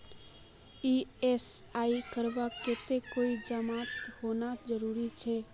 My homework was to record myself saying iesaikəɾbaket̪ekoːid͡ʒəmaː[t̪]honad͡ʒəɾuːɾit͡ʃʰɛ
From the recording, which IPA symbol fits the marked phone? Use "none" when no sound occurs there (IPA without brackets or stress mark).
t̪